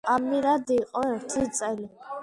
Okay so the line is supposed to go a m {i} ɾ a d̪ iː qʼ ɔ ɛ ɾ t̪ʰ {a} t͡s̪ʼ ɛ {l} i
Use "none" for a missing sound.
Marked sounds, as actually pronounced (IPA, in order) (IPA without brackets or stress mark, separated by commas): i, i, l